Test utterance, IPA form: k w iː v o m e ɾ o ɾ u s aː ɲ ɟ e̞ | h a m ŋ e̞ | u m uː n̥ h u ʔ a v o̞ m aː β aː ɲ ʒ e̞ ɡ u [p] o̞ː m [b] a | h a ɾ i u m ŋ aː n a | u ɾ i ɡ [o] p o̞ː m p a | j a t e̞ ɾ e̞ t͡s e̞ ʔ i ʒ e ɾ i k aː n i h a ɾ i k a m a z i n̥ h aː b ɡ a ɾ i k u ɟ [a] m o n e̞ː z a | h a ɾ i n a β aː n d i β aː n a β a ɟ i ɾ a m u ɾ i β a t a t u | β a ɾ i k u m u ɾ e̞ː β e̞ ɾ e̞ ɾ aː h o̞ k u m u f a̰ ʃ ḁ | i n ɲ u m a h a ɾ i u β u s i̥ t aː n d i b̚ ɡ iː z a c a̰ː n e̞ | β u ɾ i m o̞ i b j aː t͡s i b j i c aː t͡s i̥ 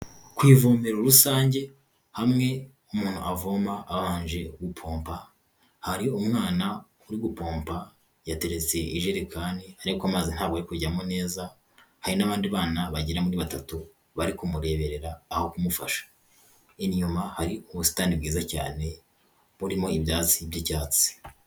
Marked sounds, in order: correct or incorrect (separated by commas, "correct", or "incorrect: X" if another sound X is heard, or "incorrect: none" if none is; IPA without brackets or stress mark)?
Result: incorrect: pʰ, incorrect: p, incorrect: u, correct